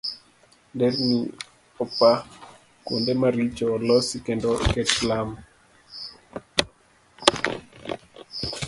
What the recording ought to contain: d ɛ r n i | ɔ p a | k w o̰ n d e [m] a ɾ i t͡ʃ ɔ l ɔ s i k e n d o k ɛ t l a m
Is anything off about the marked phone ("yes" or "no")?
no